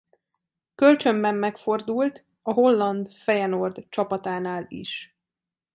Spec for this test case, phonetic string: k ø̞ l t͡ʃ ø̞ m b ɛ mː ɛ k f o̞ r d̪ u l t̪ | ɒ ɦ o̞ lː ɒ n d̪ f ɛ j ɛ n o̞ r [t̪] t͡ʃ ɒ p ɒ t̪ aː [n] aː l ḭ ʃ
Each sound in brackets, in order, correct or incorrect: incorrect: d̪, correct

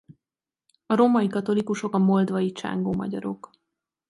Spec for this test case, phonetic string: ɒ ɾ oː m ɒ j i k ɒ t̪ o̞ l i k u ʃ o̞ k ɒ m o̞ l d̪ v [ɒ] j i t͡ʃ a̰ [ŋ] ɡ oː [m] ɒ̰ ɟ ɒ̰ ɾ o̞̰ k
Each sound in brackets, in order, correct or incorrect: correct, correct, correct

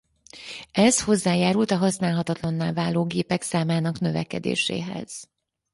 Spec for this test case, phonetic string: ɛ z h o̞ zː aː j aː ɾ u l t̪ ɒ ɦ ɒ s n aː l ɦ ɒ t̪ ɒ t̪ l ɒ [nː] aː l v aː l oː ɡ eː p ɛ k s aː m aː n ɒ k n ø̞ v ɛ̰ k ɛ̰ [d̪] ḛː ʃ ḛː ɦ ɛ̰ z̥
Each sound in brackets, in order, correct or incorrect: correct, correct

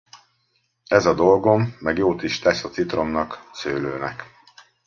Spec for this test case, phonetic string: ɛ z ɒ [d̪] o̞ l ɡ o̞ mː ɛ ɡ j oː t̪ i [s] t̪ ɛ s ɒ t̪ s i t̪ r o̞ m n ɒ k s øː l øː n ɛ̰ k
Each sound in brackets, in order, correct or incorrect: correct, incorrect: ʃ

